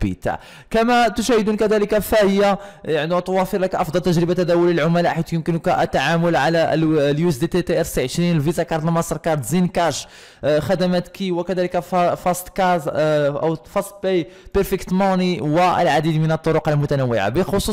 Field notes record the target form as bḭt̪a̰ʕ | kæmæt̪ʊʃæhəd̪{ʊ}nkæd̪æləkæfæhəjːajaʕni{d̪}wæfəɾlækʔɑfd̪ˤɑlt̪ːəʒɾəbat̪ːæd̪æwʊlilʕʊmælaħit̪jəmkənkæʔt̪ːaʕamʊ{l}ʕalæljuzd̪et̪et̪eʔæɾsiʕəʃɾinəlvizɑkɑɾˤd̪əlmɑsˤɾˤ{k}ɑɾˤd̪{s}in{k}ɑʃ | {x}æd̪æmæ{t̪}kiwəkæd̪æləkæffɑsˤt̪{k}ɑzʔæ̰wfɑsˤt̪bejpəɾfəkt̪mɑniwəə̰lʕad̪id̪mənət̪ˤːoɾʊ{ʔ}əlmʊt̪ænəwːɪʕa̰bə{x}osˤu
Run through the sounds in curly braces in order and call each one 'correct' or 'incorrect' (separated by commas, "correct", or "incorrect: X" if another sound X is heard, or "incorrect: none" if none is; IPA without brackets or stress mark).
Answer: incorrect: u, incorrect: t̪, correct, correct, incorrect: z, correct, correct, correct, correct, incorrect: q, correct